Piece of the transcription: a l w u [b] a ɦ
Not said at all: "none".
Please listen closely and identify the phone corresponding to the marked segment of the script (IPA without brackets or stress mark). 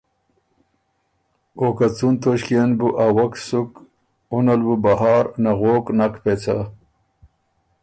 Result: b